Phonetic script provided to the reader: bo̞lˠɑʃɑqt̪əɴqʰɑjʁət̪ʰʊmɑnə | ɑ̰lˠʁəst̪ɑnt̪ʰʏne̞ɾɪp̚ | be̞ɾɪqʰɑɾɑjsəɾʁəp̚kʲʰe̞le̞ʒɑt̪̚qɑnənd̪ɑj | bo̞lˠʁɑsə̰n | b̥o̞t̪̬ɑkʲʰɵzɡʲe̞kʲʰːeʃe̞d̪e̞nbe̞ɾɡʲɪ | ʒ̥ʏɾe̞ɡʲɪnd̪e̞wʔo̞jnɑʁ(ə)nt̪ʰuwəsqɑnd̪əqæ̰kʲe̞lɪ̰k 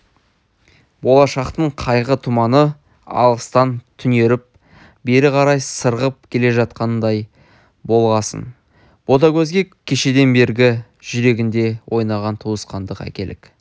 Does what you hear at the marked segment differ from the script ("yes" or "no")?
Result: yes